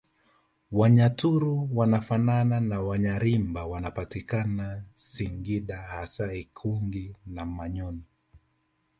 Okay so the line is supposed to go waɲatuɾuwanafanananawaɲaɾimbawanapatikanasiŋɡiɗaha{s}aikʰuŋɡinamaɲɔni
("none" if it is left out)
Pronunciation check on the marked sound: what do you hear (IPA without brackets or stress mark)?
s